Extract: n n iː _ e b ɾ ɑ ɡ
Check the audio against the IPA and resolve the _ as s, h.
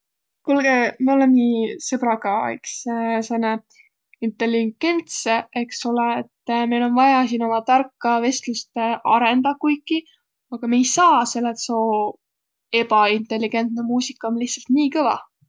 s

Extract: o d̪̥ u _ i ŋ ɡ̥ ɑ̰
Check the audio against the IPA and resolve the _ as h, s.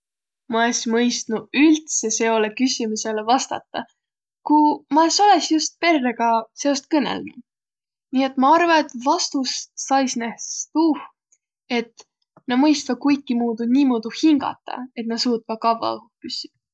h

